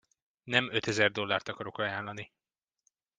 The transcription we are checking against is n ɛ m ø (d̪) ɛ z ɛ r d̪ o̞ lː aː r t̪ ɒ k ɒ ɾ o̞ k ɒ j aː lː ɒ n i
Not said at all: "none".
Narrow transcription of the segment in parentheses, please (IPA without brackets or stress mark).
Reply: t̪